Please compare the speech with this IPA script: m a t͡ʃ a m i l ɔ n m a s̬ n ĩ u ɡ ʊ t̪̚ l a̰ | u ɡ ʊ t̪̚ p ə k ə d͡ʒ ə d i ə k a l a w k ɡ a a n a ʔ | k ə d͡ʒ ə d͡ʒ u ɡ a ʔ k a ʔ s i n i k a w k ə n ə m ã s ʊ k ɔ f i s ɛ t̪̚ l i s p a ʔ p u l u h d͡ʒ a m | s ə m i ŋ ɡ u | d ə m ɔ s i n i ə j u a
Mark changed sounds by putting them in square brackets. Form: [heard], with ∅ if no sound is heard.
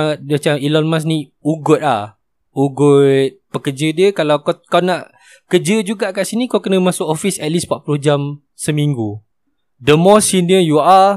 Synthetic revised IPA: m a t͡ʃ a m i l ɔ n m a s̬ n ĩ u ɡ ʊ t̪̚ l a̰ | u ɡ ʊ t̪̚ p ə k ə d͡ʒ ə d i ə k a l a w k [k] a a n a ʔ | k ə d͡ʒ ə d͡ʒ u ɡ a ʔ k a ʔ s i n i k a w k ə n ə m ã s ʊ k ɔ f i s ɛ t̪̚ l i s p a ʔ p u l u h d͡ʒ a m | s ə m i ŋ ɡ u | d ə m ɔ s i n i ə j u a